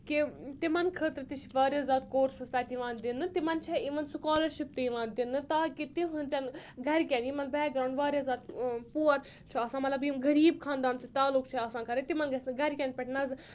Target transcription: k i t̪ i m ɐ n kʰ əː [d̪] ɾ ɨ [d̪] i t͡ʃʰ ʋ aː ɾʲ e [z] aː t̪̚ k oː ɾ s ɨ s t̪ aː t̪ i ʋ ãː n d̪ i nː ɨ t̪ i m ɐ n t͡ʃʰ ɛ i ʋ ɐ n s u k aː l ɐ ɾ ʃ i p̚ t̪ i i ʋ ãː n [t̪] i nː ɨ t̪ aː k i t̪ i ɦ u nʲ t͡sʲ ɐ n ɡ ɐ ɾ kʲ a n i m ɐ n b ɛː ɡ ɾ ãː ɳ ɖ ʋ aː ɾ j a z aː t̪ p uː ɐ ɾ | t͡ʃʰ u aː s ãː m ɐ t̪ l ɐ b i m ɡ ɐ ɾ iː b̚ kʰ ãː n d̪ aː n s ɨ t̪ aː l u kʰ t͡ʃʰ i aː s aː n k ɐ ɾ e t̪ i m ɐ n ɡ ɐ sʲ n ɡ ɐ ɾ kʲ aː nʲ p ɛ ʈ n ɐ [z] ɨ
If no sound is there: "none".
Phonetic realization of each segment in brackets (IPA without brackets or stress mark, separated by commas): t̪, t̪, z, d̪, z